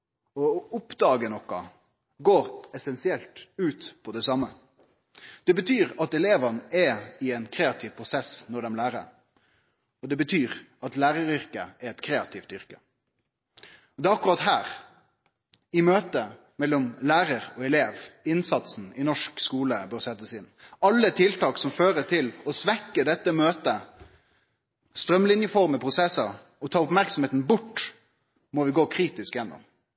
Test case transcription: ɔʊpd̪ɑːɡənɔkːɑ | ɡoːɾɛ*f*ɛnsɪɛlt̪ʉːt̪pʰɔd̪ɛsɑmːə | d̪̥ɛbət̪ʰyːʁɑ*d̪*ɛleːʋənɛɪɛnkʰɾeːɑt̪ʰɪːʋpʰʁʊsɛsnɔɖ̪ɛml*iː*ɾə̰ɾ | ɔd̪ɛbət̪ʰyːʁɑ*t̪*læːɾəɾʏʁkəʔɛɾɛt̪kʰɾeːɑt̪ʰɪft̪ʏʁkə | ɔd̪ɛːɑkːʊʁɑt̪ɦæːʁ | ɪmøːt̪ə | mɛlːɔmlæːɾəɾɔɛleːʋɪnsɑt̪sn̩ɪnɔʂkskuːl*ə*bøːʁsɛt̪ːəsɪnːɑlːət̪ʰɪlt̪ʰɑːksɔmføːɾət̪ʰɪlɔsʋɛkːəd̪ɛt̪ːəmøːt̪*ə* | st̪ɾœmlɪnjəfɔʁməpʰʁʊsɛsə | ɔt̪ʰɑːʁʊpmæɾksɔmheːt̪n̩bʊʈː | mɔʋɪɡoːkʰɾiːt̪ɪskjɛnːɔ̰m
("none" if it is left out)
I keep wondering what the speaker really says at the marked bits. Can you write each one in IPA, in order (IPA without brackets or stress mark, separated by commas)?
s, t̪, æː, t̪, ə, ə